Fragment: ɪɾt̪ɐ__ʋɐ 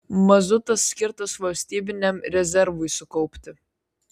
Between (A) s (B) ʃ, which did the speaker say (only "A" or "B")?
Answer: A